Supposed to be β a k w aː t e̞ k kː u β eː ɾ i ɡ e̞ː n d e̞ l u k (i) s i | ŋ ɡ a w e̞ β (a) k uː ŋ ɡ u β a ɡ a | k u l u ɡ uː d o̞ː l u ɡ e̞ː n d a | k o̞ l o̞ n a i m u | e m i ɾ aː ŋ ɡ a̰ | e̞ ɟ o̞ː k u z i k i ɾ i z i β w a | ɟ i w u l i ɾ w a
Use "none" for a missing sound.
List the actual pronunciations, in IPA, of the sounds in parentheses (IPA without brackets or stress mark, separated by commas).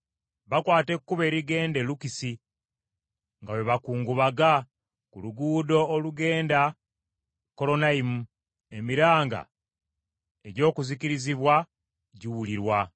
i, a